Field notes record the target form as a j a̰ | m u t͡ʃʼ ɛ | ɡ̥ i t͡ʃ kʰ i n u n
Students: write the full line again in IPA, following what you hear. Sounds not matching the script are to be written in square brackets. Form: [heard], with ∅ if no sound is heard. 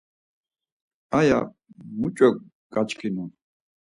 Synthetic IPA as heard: a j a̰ | m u t͡ʃʼ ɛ | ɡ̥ [a] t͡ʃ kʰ i n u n